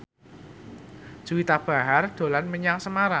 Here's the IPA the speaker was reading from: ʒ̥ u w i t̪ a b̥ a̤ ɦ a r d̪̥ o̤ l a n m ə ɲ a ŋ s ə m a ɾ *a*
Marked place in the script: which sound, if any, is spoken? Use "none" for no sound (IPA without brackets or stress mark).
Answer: a